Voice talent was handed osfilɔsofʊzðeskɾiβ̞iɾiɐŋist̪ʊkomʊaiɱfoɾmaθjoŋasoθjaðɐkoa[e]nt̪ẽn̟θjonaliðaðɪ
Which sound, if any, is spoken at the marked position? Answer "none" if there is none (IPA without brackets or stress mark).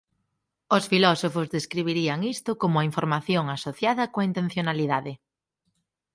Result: i